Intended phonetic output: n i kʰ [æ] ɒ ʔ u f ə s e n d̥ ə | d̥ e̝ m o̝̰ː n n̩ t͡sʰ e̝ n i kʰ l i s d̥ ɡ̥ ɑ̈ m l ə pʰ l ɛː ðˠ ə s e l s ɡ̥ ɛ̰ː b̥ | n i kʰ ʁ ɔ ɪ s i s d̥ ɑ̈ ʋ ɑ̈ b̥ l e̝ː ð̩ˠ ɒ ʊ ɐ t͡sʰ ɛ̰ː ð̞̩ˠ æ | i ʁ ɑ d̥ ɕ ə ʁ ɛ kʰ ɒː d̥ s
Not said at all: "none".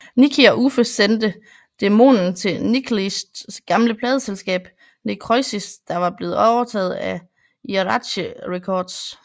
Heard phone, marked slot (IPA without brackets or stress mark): i